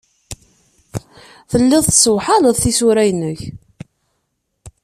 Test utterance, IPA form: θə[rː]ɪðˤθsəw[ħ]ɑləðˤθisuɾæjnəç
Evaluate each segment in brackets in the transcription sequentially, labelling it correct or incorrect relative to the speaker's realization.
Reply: incorrect: lː, correct

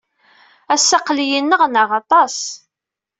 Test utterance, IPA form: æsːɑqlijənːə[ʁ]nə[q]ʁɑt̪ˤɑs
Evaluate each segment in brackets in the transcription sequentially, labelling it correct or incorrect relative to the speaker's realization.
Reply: correct, incorrect: none

